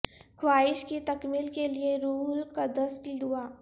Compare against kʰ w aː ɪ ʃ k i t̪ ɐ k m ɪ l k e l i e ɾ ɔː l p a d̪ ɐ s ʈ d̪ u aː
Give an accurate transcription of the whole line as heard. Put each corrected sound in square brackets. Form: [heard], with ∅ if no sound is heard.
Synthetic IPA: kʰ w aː ɪ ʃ k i t̪ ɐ k m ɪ l k e l i e ɾ [uː] l [k] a d̪ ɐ s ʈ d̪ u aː